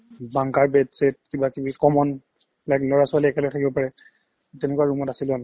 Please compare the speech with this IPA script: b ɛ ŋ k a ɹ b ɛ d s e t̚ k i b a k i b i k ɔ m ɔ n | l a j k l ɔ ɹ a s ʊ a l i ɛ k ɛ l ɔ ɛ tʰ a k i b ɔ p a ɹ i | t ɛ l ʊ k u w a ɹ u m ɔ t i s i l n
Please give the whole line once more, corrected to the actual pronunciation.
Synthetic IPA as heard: b a ŋ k a ɹ b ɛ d s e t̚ k i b a k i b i k ɔ m ɔ n | l a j k l ɔ ɹ a s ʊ a l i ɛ k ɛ l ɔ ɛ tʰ a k i b ɔ p a ɹ ɛ | t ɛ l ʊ k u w a ɹ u m ɔ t a s i l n

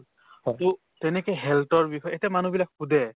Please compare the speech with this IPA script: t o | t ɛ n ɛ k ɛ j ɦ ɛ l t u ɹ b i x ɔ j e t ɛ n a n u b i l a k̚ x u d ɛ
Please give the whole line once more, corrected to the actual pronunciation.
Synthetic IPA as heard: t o | t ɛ n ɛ k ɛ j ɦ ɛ l t ɔ ɹ b i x ɔ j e t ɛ m a n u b i l a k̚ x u d ɛ

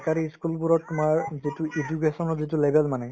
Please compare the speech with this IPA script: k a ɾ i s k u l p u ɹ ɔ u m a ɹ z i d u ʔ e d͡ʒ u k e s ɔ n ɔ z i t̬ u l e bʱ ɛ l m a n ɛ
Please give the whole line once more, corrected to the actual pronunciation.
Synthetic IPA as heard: k a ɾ i s k u l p u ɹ ɔ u m a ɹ z i t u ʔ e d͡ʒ u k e s ɔ n ɔ z i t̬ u l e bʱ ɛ l m a n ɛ

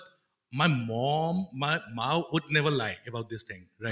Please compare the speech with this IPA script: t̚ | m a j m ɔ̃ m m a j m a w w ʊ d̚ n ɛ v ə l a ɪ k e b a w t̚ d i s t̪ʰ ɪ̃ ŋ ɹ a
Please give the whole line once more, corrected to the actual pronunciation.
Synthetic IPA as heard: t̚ | m a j m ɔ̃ m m a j m a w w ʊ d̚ n ɛ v ə l a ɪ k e b a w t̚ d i s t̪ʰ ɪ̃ ŋ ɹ a

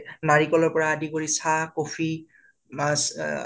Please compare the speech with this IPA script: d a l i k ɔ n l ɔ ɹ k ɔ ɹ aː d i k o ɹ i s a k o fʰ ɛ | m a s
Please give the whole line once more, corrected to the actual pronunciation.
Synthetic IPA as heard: n a ɹ i k ɔ l ɔ ɹ p ɔ ɹ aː d i k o ɹ i s a k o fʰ i | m a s

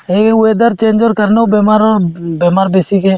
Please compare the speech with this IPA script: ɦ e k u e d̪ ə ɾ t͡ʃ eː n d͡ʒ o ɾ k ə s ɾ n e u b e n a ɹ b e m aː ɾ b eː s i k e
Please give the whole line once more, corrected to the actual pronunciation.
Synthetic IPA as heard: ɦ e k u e d̪ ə ɾ t͡ʃ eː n d͡ʒ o ɾ k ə ɾ n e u b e m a ɾ b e m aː ɾ b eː s i k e

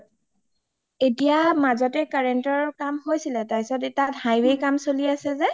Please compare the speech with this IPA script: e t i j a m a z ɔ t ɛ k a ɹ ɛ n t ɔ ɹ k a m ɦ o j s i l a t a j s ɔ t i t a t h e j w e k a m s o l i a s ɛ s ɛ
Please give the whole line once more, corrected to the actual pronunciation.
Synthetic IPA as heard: e t i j a m a z ɔ t ɛ k a ɹ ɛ n t ɔ ɹ k a m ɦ o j s i l ɛ t a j s ɔ t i t a t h a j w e k a m s o l i a s ɛ z ɛ

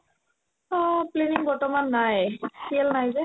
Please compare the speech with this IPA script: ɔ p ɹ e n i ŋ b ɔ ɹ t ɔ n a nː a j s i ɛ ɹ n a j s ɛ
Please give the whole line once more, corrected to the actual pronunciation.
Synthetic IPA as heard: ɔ p l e n i ŋ b ɔ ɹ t ɔ m a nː a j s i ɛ l n a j z ɛ

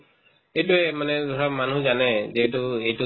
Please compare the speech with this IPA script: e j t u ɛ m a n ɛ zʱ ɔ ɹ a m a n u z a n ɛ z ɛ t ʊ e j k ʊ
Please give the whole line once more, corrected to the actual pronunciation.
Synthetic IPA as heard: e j t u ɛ m a n ɛ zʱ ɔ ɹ a m a n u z a n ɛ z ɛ t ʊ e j t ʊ

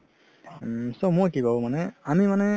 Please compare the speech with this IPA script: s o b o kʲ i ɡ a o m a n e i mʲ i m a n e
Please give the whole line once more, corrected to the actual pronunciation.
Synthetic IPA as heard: s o m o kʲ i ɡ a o m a n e a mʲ i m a n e

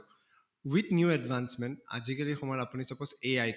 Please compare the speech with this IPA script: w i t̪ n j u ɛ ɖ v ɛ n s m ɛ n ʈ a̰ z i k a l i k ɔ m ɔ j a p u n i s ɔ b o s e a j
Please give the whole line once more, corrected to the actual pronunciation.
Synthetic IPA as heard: w i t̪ n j u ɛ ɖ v a n s m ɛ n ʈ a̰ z i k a l i x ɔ m ɔ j a p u n i s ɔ p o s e a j

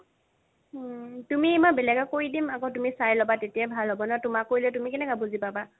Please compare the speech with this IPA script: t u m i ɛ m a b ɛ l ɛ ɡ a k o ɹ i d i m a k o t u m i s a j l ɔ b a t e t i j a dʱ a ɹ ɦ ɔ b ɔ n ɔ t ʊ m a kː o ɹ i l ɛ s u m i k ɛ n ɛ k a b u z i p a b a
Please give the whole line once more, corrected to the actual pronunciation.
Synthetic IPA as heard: t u m i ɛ m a b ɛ l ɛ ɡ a k o ɹ i d i m a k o t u m i s a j l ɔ b a t e t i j a bʱ a l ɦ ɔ b ɔ n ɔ t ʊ m a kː o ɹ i l ɛ t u m i k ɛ n ɛ k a b u z i p a b a

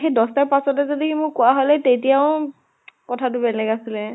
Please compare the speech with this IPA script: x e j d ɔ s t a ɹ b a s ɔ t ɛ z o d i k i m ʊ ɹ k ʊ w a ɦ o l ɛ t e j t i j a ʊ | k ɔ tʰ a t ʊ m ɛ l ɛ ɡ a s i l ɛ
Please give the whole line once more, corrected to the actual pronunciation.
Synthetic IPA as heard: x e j d ɔ s t a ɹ p a s ɔ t ɛ z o d i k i m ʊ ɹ k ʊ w a ɦ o l ɛ t e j t i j a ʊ | k ɔ tʰ a t ʊ b ɛ l ɛ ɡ a s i l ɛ

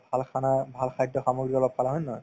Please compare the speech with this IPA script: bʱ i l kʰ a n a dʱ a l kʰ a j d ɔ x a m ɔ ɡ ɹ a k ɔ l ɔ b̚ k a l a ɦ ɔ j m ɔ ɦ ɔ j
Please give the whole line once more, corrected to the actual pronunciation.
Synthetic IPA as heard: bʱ a l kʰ a n a bʱ a l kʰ a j d ɔ x a m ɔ ɡ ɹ i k ɔ l ɔ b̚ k a l a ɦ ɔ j n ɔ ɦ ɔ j

